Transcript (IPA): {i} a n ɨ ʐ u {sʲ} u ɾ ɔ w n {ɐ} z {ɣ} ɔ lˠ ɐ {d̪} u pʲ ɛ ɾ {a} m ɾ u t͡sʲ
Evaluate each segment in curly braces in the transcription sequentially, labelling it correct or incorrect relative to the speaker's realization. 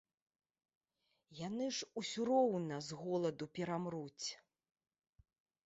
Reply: incorrect: j, correct, correct, correct, correct, correct

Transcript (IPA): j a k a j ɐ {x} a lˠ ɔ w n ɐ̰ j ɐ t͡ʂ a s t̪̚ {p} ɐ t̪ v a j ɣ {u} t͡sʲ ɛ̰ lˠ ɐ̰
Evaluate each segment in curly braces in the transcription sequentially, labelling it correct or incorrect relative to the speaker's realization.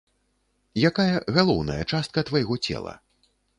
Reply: incorrect: ɣ, incorrect: k, incorrect: ɔ

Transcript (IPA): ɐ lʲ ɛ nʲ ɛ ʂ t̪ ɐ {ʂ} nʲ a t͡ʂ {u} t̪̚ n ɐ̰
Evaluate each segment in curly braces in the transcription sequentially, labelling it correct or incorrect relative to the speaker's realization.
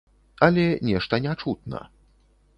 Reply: incorrect: none, correct

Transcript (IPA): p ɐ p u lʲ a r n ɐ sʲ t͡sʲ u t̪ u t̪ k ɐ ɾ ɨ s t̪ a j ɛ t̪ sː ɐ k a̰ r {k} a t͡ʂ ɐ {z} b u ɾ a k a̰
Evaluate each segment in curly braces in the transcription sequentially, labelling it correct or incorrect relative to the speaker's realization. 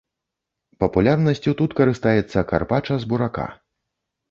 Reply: incorrect: p, correct

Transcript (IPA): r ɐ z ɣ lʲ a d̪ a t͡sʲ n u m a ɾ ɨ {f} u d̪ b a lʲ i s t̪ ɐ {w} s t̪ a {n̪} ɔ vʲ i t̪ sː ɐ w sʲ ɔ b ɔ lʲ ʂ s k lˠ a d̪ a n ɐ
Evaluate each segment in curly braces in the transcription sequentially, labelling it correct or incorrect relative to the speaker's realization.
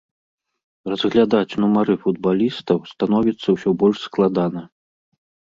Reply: correct, correct, correct

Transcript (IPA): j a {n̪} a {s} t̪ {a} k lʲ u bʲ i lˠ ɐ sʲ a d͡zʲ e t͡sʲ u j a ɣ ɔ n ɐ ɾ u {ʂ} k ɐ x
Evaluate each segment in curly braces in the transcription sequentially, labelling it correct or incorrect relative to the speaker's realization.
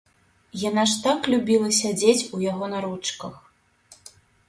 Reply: correct, incorrect: ʂ, correct, incorrect: t͡ʂ

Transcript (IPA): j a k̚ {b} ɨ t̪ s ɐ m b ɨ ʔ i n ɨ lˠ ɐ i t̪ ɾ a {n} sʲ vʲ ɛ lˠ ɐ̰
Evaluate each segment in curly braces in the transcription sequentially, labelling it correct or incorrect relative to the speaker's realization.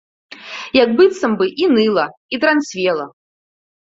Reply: correct, correct

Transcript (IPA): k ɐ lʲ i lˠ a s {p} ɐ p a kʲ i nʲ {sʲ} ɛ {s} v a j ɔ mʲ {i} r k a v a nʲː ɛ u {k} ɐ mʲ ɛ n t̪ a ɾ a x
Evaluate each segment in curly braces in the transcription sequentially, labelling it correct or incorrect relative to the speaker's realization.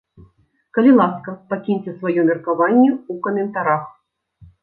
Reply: incorrect: k, incorrect: t͡sʲ, correct, incorrect: ɛ, correct

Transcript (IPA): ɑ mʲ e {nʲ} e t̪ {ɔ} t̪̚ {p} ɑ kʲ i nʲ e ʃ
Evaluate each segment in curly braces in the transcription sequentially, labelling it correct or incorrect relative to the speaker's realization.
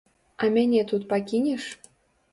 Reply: correct, incorrect: u, correct

